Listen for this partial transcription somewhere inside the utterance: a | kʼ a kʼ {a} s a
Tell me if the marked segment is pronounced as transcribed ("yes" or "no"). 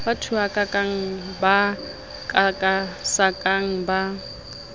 yes